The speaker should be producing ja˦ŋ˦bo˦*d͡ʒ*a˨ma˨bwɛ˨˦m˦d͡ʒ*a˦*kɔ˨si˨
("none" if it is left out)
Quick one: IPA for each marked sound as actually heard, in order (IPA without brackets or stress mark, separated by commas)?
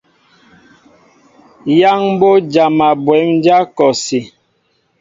d͡ʒ, a˦